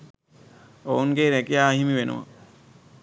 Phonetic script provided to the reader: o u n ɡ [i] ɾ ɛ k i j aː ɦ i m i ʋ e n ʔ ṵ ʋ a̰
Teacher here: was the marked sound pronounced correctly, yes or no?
no